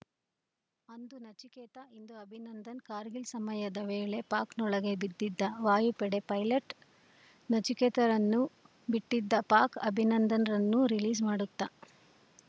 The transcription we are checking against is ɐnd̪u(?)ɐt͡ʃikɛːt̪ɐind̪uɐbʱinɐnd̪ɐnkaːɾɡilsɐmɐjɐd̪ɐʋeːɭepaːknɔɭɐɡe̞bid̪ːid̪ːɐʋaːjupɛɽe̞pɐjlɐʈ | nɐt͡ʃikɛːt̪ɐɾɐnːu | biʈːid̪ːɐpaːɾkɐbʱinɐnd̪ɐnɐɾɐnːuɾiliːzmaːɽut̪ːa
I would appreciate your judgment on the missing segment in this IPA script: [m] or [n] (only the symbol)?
n